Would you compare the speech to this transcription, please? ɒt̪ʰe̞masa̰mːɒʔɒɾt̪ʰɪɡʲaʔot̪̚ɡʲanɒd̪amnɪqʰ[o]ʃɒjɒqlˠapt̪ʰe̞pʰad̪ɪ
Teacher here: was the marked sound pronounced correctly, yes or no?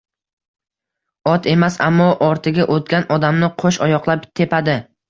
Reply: yes